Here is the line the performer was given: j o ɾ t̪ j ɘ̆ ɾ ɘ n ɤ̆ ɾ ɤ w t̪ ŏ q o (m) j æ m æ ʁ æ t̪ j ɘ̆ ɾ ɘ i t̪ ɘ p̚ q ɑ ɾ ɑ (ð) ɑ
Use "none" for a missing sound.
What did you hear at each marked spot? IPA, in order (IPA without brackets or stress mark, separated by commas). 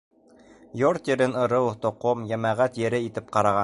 m, ʁ